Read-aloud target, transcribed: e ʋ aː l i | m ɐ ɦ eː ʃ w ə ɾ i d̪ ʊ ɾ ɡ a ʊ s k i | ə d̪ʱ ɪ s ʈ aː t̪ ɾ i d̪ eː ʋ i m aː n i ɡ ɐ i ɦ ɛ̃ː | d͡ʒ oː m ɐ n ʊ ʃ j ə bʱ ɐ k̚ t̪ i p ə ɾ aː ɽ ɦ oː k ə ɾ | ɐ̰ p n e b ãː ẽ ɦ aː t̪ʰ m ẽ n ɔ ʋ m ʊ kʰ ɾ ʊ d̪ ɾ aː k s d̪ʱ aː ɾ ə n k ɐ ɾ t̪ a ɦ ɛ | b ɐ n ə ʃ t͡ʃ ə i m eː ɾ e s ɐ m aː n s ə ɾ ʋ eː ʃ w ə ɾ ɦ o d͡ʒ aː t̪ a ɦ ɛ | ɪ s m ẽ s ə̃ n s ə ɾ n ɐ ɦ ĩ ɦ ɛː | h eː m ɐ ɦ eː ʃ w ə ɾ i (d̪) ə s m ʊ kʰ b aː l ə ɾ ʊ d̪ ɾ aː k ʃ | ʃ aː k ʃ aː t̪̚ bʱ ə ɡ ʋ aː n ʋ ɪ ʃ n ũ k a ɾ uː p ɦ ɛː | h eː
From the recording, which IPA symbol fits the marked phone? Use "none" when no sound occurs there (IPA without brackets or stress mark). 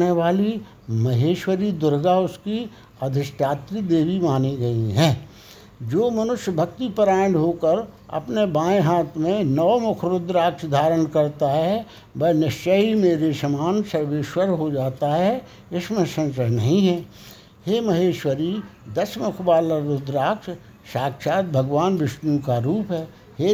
d̪